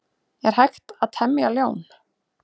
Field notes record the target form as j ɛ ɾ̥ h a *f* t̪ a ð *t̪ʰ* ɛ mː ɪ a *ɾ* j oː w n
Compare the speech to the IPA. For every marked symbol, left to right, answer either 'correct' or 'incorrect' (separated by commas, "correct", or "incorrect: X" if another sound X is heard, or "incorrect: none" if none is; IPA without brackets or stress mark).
incorrect: x, correct, incorrect: l